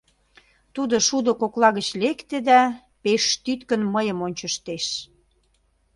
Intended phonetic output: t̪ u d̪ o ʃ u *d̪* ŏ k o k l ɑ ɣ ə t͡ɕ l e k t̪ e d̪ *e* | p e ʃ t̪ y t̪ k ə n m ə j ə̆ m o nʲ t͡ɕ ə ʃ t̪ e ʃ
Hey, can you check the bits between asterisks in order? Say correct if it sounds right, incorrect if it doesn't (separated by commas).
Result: correct, incorrect